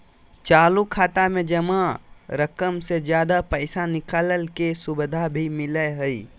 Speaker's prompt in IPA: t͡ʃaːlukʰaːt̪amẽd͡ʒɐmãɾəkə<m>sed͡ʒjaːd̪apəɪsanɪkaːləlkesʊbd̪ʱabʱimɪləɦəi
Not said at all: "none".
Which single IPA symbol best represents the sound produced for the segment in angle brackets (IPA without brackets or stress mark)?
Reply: m